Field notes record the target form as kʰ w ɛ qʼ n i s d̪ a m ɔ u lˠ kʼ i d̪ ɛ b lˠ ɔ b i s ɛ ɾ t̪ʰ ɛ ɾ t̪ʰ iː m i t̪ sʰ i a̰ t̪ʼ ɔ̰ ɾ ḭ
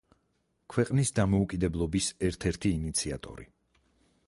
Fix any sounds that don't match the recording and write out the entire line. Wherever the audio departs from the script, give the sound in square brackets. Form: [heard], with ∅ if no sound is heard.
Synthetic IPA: kʰ w ɛ qʼ n i s d̪ a m ɔ u [∅] kʼ i d̪ ɛ b lˠ ɔ b i s ɛ ɾ t̪ʰ ɛ ɾ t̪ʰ iː [n] i t̪ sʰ i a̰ t̪ʼ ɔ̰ ɾ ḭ